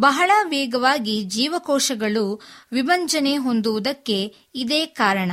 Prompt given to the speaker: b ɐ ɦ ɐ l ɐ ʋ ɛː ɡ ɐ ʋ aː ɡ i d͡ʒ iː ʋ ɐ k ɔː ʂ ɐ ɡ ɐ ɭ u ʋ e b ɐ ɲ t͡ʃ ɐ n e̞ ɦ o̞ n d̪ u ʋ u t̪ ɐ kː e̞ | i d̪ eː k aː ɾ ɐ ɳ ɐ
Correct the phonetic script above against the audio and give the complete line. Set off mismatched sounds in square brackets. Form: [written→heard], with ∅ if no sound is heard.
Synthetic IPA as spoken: b ɐ ɦ ɐ [l→ɭ] ɐ ʋ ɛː ɡ ɐ ʋ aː ɡ i d͡ʒ iː ʋ ɐ k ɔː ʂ ɐ ɡ ɐ ɭ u ʋ [e→i] b ɐ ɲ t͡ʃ ɐ n e̞ ɦ o̞ n d̪ u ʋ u [t̪→d̪] ɐ kː e̞ | i d̪ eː k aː ɾ ɐ ɳ ɐ